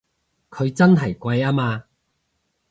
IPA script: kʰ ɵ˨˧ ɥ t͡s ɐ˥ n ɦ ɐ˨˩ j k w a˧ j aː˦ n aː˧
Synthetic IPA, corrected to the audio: kʰ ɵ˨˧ ɥ t͡s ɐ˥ n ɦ ɐ˨˩ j k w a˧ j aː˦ m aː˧